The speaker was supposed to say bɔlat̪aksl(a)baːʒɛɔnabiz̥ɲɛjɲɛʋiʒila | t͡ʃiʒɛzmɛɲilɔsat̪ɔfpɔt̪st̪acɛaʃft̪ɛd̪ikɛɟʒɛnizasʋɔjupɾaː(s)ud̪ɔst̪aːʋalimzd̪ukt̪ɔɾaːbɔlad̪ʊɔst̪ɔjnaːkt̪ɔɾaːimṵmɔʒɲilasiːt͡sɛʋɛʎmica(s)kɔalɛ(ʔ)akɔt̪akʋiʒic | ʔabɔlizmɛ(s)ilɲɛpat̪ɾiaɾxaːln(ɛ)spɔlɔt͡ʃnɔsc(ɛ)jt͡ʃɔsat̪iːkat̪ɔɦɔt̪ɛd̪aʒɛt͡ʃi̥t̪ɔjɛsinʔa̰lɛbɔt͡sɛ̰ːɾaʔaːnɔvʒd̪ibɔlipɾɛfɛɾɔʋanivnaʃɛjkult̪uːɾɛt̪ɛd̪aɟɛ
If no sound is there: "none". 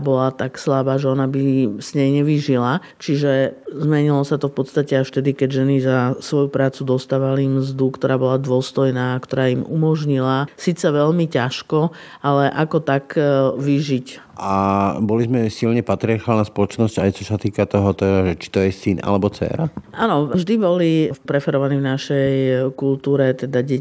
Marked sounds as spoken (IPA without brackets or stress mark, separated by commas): a, t͡s, ʃ, ʔ, s, a, a